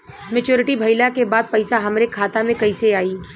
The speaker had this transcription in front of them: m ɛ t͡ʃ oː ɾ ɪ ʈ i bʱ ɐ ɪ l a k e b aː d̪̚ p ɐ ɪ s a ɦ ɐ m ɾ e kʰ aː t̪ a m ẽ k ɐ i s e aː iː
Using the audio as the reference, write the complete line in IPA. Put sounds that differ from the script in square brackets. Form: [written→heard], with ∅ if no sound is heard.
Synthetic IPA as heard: m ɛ t͡ʃ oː ɾ ɪ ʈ i bʱ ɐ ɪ l a k e b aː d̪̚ p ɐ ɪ s a ɦ ɐ m ɾ e kʰ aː t̪ a m ẽ k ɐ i s e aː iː